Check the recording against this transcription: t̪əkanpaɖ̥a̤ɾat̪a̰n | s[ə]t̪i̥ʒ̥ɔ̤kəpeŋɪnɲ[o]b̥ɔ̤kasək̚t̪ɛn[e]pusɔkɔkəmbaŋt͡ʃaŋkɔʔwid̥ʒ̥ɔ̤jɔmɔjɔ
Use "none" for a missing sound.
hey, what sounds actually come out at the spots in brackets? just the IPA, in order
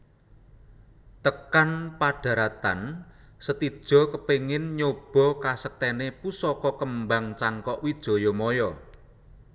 ə, o, e

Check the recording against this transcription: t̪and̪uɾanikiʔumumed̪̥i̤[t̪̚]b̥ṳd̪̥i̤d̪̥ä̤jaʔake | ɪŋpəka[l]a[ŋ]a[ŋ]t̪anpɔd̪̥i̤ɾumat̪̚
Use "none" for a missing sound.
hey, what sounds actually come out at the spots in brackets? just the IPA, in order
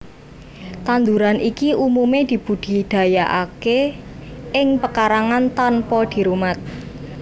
none, ɾ, ŋ, n

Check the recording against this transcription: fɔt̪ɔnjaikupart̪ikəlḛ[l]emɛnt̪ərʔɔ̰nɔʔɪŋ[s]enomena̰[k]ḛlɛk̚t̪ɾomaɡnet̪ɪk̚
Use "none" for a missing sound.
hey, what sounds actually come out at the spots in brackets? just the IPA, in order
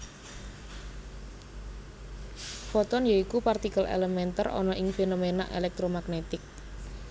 l, f, ʔ

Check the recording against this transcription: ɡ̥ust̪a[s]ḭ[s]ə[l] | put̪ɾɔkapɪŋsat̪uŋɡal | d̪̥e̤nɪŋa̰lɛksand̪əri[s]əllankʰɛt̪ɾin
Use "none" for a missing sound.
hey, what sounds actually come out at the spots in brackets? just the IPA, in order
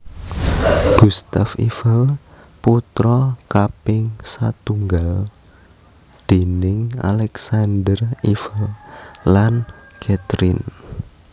f, f, l, f

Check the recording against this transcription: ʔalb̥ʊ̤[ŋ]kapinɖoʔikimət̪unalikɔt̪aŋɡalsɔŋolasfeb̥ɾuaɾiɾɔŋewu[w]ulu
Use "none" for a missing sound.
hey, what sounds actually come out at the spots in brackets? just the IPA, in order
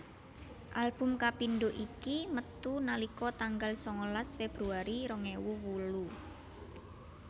m, w

